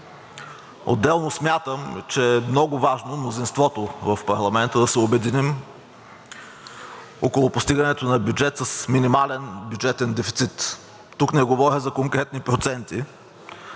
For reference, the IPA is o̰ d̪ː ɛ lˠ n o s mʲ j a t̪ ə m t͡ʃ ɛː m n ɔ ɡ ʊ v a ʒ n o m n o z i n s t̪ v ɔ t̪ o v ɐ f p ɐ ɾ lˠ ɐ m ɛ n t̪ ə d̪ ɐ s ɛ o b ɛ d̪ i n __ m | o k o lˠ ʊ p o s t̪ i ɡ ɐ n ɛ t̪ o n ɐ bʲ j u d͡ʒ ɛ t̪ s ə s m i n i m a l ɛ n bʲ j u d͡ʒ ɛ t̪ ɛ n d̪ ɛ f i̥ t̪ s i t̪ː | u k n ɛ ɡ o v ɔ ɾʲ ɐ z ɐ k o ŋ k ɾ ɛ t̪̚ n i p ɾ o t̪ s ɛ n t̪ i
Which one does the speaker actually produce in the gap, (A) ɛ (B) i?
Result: B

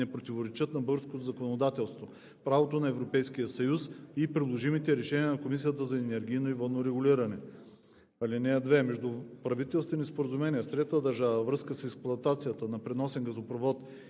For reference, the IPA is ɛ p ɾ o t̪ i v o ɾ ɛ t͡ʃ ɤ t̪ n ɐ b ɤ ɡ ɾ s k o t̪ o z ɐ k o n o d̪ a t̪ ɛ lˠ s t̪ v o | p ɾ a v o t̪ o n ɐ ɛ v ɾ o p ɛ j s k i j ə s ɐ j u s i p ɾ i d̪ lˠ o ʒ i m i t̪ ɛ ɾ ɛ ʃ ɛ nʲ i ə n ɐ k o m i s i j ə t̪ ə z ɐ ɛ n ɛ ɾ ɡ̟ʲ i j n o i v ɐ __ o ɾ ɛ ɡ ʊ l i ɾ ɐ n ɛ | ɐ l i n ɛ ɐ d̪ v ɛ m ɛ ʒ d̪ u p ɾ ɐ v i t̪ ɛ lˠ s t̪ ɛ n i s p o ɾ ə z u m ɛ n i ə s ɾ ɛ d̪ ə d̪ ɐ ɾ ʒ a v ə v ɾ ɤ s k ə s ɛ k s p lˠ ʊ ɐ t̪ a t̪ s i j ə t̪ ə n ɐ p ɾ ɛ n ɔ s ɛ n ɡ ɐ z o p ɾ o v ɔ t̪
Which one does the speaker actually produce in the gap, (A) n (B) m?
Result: A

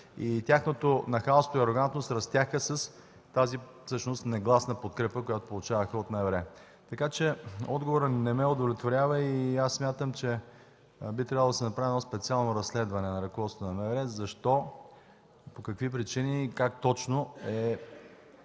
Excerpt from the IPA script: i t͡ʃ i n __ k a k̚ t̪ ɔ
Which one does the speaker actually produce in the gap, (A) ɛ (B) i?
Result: B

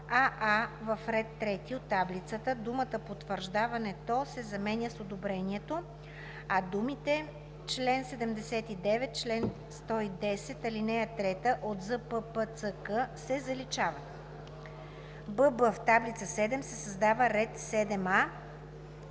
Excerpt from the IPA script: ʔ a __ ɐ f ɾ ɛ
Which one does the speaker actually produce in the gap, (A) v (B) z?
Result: A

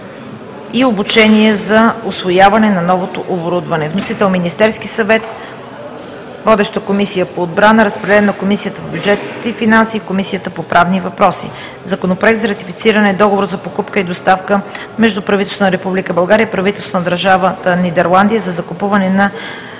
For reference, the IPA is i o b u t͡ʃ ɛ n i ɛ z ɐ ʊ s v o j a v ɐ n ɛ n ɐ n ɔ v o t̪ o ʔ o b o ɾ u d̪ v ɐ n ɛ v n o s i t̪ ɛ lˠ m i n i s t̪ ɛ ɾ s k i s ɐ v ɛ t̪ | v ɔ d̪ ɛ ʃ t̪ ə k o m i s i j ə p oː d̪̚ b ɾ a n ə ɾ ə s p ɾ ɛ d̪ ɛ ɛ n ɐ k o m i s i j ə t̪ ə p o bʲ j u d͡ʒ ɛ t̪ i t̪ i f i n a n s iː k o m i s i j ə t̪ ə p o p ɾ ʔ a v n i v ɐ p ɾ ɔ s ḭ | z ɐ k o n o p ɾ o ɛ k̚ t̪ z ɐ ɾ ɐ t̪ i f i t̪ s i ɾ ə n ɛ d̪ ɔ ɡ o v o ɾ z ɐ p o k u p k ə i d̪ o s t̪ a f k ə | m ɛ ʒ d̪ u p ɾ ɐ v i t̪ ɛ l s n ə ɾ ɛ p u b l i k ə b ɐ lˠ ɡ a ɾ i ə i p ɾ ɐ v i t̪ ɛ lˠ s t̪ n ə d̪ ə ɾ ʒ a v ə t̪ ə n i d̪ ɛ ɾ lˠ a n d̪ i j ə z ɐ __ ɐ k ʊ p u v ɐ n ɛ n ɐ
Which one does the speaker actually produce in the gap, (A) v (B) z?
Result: B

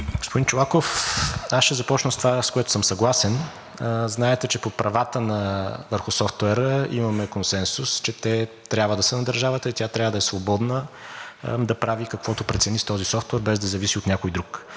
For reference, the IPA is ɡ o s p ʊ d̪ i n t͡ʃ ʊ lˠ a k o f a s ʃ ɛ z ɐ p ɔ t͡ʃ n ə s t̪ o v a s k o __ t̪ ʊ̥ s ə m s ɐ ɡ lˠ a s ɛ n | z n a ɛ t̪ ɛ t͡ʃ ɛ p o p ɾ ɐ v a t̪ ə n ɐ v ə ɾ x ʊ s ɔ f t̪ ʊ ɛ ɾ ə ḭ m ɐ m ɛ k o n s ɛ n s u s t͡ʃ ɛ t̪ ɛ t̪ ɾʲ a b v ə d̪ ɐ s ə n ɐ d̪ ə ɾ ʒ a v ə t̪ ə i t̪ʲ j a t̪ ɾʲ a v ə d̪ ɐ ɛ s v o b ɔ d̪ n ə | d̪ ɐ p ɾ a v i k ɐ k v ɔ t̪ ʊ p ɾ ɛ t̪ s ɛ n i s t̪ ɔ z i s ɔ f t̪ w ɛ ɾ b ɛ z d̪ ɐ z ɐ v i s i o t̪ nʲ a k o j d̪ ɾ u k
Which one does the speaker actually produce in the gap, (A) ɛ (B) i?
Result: A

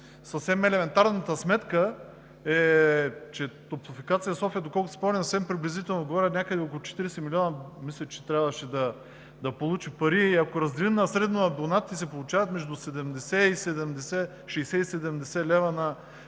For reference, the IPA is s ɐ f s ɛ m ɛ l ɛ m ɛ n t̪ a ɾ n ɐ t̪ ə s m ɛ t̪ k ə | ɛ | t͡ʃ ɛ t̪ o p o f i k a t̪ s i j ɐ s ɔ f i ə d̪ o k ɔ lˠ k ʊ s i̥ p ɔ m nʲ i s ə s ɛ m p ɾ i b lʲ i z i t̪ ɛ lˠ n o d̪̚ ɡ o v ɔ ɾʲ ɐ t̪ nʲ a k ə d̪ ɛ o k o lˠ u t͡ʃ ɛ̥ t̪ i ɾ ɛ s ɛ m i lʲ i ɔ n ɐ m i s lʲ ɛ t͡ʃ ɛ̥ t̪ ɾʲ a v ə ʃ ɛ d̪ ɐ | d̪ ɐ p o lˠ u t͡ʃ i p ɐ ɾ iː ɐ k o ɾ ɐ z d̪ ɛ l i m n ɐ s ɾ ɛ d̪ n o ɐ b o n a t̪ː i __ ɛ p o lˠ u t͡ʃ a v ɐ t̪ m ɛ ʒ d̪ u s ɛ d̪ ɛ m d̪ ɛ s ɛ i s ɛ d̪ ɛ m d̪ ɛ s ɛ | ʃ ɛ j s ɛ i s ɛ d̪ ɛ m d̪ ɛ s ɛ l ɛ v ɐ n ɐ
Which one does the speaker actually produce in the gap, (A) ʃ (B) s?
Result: B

